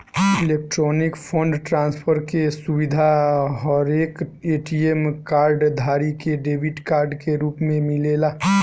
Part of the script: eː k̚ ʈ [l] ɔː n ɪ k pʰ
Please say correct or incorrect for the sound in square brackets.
incorrect: ɾ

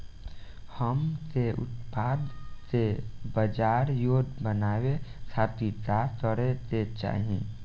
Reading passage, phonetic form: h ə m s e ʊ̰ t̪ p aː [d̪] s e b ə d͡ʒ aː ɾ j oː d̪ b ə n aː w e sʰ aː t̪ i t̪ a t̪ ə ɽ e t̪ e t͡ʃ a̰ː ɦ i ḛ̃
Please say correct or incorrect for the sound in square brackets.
correct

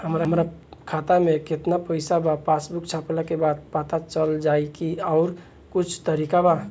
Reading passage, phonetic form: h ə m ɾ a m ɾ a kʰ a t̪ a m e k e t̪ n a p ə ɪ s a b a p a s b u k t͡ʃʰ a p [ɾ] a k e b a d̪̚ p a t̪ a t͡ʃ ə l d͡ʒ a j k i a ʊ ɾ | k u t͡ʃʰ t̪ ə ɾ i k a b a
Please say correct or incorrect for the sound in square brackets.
incorrect: l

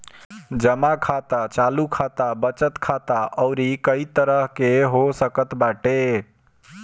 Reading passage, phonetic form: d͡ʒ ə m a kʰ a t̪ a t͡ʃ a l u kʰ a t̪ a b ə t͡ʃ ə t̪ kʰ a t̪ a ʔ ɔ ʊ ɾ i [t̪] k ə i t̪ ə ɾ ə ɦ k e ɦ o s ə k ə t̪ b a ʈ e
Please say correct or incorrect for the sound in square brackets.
incorrect: none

